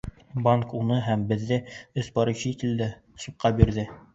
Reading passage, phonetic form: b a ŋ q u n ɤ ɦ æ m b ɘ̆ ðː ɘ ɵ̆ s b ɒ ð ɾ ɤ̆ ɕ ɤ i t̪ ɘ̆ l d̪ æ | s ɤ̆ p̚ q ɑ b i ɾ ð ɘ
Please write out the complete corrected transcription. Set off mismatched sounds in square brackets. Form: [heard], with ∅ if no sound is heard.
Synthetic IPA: b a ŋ [k] u n ɤ ɦ æ m b ɘ̆ ðː ɘ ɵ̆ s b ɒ [∅] ɾ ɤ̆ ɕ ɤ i t̪ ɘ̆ l d̪ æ | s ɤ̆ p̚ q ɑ b i ɾ ð ɘ